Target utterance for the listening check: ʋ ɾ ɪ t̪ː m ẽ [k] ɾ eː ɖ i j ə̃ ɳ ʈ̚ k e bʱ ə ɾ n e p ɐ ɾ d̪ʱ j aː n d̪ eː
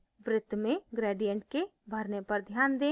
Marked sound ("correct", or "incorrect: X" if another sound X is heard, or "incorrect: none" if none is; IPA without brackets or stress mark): incorrect: ɡ